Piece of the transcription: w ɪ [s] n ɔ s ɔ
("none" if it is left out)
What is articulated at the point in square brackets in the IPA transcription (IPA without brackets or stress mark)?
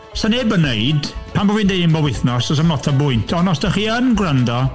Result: θ